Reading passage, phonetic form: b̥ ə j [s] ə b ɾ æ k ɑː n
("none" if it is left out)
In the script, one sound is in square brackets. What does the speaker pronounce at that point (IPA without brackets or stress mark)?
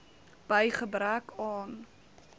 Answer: χ